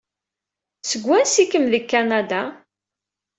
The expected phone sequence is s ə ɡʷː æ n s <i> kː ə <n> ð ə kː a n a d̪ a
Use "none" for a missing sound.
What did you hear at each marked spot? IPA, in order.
i, m

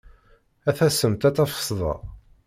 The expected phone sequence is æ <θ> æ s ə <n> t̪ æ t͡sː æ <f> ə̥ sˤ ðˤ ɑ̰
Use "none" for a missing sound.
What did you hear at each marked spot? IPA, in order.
θ, m, f

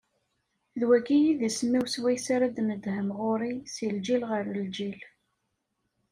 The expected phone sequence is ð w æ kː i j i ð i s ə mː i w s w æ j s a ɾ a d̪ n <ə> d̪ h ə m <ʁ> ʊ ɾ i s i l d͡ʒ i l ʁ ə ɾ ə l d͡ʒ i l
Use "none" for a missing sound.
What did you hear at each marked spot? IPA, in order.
ə, ʁ

